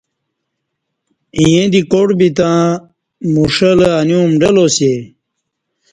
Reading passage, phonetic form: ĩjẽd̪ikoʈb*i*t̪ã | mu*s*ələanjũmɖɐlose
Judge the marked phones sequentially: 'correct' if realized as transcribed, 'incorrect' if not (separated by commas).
correct, incorrect